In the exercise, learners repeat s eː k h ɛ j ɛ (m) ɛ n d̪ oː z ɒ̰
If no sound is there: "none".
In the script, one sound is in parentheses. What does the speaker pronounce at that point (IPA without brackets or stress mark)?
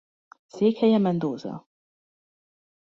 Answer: m